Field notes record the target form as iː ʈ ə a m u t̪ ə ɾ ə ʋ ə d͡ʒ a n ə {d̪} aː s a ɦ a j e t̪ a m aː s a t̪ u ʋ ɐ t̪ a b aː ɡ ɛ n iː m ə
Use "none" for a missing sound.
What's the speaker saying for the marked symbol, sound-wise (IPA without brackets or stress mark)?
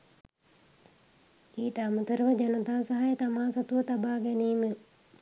t̪